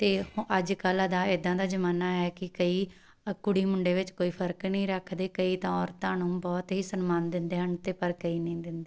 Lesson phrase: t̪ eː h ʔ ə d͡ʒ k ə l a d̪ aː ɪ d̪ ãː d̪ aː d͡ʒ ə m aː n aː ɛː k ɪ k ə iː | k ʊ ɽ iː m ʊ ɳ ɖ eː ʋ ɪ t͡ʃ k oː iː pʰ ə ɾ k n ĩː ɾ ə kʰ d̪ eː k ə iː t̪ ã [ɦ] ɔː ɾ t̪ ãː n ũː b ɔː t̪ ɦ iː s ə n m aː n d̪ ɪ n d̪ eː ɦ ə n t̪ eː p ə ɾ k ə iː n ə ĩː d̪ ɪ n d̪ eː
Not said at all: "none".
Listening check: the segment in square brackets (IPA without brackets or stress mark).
none